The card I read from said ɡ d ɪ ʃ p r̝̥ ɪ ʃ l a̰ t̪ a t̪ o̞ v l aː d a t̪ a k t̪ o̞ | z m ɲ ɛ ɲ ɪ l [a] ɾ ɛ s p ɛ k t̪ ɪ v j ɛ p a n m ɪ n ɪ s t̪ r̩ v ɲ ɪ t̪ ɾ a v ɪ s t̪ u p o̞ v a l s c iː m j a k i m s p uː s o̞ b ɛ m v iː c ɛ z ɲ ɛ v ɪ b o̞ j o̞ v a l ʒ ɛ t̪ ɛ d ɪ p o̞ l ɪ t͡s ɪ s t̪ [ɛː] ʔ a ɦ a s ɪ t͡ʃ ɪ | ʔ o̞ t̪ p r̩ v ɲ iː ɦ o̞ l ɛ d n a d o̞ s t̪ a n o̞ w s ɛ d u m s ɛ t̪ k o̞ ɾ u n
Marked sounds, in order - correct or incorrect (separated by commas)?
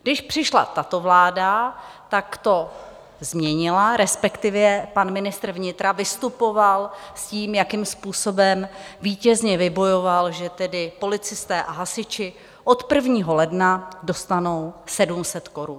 correct, correct